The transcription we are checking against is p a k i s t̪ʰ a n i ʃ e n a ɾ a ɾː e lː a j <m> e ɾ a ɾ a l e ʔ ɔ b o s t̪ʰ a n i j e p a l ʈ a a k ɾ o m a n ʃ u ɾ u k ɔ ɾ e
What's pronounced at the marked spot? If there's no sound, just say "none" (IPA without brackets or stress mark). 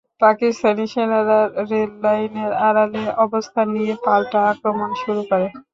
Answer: n